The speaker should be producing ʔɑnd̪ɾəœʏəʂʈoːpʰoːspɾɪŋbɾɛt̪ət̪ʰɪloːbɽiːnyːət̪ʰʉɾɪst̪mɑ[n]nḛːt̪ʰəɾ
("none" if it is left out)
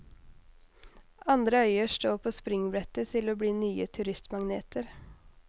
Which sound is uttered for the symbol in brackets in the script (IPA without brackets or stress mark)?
ŋ